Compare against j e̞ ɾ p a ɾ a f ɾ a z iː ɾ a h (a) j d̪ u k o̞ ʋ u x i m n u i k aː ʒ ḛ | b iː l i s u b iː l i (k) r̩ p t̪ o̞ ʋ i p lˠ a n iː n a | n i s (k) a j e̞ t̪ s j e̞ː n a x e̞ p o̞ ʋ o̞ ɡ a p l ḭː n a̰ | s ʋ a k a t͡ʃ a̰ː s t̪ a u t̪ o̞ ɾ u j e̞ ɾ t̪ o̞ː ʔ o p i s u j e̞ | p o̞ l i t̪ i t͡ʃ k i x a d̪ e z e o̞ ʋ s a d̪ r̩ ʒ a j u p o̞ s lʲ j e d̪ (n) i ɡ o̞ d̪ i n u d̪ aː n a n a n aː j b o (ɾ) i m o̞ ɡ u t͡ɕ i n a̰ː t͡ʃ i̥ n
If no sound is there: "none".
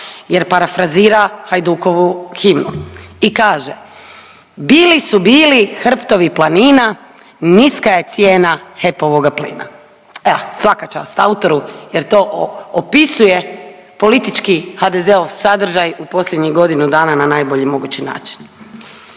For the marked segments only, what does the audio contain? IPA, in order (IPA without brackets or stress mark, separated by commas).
a, x, k, ɲ, ʎ